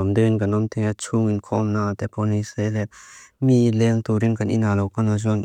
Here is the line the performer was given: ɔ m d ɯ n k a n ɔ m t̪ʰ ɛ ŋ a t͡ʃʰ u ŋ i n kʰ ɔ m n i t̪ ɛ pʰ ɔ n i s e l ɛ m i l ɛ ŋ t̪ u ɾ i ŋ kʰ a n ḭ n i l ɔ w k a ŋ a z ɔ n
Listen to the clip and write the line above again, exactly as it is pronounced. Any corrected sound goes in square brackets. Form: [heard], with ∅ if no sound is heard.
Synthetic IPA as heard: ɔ m d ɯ n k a n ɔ m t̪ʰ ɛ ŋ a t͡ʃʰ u ŋ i n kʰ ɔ m n [a] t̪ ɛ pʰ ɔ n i s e l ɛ m i l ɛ ŋ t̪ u ɾ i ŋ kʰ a n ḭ n [a] l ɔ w k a [n] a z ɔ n